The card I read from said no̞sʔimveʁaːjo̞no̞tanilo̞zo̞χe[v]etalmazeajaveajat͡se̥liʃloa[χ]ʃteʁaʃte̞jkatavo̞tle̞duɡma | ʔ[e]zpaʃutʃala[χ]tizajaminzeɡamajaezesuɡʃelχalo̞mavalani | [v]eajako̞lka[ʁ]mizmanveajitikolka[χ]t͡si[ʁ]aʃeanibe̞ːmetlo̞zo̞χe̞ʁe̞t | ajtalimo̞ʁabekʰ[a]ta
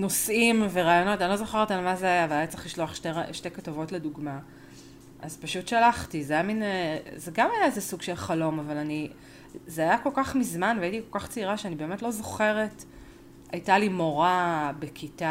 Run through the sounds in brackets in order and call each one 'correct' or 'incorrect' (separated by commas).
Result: incorrect, correct, incorrect, correct, incorrect, incorrect, correct, correct, incorrect